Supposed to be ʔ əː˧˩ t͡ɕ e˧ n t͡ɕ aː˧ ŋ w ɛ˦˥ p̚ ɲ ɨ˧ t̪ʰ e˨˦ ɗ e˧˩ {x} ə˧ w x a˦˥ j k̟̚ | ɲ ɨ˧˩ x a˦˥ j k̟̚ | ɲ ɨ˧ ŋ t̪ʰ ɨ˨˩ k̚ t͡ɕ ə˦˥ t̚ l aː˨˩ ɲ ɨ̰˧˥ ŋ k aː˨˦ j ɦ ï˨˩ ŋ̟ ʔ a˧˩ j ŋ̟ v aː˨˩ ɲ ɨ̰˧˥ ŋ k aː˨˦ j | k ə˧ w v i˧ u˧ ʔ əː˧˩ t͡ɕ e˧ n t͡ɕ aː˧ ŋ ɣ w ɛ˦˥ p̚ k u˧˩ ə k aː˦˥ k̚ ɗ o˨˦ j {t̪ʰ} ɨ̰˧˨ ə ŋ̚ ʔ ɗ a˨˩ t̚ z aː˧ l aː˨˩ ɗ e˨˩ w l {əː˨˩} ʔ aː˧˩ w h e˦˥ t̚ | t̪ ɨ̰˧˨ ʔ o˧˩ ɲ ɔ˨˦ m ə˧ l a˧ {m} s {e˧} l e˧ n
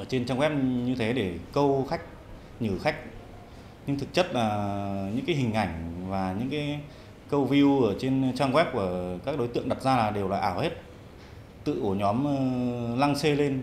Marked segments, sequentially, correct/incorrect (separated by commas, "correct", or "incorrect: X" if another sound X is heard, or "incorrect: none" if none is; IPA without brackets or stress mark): incorrect: k, incorrect: t̪, incorrect: aː˨˩, incorrect: ŋ, correct